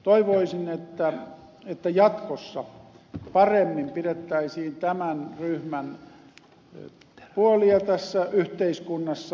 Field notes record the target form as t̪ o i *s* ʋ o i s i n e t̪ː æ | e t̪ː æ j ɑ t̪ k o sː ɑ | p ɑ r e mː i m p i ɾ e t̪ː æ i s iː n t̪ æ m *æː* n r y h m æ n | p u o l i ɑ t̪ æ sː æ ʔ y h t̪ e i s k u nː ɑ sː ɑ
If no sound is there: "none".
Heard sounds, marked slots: none, æ

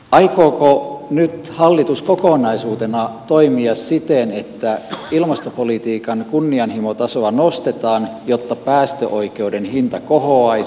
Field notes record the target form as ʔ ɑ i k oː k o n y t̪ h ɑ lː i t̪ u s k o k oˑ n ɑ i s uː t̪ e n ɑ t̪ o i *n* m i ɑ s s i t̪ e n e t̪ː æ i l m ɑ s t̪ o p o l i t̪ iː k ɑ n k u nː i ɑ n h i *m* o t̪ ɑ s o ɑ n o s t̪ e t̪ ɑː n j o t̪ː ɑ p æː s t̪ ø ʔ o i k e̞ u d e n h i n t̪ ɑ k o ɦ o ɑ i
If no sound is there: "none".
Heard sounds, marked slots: none, m

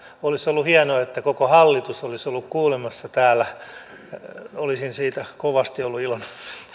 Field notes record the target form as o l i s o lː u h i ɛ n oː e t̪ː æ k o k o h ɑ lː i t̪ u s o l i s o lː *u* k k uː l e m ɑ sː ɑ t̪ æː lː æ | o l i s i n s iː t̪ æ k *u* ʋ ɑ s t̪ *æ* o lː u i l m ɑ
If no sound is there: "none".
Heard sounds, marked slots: u, o, i

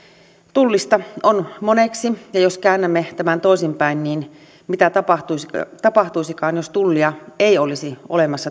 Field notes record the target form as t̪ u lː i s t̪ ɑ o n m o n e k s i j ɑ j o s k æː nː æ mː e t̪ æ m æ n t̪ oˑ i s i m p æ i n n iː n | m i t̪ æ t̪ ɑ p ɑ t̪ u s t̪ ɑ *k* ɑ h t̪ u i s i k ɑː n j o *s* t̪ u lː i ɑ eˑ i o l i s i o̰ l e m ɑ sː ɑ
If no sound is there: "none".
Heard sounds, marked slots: p, s

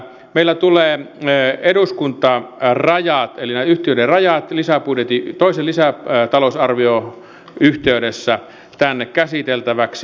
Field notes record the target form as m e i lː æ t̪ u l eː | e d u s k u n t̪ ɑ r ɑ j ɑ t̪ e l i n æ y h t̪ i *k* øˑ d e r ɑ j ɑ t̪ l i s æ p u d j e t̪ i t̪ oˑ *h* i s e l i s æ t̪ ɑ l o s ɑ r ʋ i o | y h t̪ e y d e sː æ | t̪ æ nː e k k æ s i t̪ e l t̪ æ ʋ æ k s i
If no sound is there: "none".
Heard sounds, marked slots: none, none

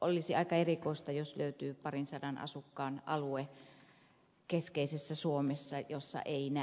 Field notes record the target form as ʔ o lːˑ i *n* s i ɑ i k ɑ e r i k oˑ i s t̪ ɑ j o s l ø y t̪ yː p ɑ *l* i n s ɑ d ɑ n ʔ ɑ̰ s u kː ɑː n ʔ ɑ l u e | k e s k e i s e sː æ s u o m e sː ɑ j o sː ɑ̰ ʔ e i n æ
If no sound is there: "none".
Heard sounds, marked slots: none, r

